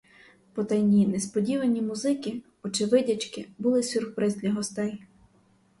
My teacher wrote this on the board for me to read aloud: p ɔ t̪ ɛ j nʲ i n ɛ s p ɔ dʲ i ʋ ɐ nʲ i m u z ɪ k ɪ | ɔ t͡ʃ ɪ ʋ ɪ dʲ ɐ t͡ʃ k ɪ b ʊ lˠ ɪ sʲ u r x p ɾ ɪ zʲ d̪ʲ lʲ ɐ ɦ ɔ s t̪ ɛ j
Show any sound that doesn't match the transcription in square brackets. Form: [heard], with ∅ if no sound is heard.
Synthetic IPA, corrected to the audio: p ɔ t̪ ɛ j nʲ i n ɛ s p ɔ dʲ i ʋ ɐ nʲ i m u z ɪ k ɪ | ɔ t͡ʃ ɪ ʋ ɪ dʲ ɐ t͡ʃ k ɪ b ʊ lˠ ɪ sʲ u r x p ɾ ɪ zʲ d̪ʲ lʲ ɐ ɦ ɔ s t̪ ɛ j